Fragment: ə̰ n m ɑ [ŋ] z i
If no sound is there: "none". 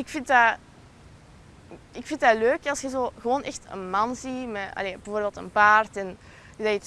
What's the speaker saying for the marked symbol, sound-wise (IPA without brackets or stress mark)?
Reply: n